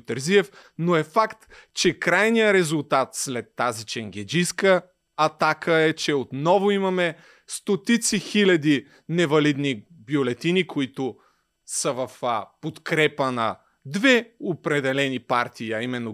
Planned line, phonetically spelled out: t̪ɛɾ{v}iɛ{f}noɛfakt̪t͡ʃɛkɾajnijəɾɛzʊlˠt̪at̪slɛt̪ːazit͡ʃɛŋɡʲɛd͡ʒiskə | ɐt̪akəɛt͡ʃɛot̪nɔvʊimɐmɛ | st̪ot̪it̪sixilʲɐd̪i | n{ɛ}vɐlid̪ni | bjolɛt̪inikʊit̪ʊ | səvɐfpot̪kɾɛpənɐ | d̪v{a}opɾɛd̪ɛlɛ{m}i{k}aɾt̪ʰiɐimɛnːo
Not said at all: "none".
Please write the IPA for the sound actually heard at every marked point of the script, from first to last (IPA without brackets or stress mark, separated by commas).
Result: z, f, ɛ, ɛ, n, p